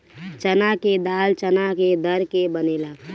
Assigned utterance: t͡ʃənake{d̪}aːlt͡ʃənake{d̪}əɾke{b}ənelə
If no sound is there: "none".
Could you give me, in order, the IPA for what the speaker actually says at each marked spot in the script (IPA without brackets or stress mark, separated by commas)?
d̪, d̪, b